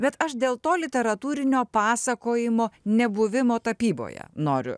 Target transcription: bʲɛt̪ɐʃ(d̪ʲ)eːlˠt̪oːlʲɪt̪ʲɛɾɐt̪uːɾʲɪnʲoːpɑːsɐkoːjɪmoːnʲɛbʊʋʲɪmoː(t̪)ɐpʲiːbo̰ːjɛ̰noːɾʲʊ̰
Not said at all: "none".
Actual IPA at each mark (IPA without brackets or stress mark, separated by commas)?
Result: d̪ʲ, t̪